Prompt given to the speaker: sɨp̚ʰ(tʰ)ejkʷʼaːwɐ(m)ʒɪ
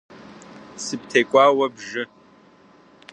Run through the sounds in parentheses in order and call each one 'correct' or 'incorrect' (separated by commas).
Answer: correct, incorrect